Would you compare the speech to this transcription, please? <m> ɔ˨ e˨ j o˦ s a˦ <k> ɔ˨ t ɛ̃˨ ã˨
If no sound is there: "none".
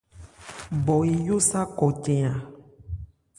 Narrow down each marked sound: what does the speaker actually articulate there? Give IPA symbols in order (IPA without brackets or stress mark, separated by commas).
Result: b, k